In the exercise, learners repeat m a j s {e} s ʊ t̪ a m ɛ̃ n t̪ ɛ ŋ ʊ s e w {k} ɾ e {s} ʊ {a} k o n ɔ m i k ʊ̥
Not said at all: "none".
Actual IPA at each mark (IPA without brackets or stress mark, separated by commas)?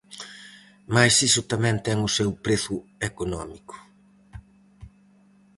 i, p, θ, e